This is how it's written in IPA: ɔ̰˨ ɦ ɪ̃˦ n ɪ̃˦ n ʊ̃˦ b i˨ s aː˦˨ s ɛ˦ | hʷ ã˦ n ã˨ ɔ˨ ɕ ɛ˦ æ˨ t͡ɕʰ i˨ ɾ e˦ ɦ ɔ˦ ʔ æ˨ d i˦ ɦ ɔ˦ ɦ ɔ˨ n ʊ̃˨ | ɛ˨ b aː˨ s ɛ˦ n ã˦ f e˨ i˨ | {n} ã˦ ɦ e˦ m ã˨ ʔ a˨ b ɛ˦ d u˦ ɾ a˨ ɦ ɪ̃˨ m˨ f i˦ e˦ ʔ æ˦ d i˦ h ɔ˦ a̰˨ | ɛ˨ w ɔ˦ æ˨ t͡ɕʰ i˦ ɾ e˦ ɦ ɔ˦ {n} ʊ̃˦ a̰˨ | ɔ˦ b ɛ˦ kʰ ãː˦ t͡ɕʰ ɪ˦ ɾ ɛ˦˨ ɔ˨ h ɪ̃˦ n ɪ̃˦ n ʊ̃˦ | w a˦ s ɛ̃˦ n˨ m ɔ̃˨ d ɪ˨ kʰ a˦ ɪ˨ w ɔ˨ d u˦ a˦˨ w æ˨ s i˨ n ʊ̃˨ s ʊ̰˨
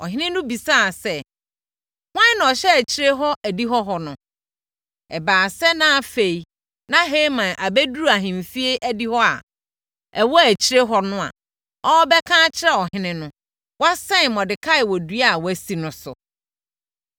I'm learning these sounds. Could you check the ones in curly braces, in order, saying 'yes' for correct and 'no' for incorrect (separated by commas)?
yes, yes